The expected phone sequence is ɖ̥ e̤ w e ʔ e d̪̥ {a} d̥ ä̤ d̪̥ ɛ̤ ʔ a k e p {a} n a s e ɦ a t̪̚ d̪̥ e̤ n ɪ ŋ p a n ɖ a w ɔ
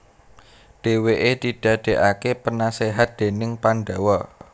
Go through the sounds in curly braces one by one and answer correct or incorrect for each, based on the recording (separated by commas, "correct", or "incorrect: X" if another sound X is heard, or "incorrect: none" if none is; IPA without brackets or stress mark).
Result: incorrect: i, incorrect: ə